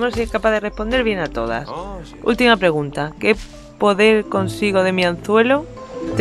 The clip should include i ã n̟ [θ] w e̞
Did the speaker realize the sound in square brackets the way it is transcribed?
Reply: yes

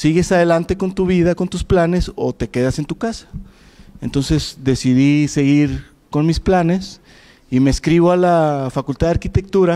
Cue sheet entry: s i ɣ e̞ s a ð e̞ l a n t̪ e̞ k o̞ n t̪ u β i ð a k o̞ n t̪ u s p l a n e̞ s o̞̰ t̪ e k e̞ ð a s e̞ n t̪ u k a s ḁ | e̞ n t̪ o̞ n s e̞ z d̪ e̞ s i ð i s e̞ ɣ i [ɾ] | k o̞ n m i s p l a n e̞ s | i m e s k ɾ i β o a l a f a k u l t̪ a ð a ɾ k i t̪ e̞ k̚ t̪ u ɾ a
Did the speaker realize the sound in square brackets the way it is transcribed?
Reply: yes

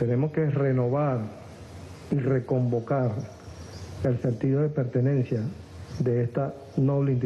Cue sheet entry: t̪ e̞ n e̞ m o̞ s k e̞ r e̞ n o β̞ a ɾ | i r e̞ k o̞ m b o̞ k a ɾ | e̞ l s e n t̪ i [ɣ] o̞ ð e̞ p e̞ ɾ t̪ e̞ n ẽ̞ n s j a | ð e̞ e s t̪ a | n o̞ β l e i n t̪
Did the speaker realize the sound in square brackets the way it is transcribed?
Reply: no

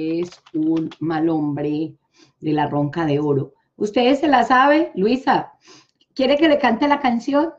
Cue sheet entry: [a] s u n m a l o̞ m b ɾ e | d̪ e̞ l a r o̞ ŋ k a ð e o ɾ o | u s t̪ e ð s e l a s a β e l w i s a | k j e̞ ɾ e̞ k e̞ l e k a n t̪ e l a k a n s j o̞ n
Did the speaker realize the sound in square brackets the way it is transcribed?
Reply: no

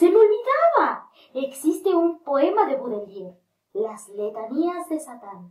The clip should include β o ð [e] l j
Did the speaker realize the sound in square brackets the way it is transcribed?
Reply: yes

